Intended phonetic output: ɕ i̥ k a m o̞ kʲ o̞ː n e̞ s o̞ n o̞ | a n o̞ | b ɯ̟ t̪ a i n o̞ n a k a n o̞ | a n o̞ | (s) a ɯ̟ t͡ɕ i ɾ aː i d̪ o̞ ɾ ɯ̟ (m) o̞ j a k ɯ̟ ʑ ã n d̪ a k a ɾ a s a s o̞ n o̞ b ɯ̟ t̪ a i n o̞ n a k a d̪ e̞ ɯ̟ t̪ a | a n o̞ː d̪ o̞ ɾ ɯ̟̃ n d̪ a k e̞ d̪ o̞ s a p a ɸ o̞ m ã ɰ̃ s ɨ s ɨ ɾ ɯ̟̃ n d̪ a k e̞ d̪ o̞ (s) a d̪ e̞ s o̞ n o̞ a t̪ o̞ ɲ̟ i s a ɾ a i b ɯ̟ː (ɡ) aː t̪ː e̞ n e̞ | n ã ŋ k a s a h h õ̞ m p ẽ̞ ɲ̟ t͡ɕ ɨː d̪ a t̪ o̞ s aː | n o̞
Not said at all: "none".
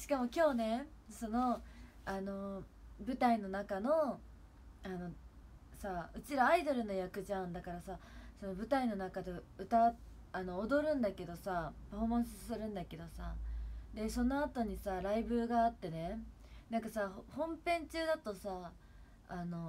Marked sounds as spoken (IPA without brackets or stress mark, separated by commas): s, n, s, ɡ